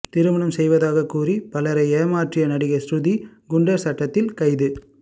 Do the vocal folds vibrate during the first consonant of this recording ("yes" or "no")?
no